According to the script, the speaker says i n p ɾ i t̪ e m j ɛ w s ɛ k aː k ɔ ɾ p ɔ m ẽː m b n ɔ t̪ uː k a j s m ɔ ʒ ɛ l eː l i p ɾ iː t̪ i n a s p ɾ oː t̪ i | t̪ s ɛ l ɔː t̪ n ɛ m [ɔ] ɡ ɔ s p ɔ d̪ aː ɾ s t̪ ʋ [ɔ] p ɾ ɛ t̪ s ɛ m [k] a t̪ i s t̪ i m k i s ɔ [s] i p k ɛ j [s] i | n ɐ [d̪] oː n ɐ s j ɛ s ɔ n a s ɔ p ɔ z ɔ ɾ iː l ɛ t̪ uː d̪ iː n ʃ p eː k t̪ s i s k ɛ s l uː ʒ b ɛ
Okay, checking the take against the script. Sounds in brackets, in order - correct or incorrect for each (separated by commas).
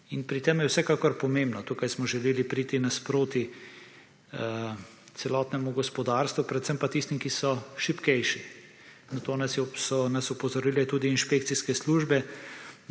incorrect, incorrect, incorrect, incorrect, incorrect, incorrect